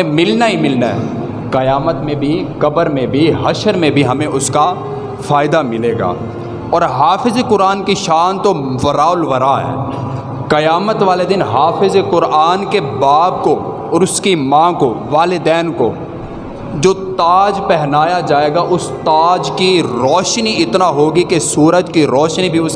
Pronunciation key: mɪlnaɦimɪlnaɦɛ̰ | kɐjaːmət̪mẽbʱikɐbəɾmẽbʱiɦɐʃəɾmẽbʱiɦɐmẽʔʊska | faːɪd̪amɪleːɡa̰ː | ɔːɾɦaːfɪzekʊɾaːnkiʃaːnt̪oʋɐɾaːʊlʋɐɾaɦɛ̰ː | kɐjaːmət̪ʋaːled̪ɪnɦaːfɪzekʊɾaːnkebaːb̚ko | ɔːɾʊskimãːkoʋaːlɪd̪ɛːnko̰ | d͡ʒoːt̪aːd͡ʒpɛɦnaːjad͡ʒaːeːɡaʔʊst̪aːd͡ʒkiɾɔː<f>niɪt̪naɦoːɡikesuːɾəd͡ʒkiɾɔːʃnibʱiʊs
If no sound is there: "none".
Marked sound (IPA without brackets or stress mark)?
ʃ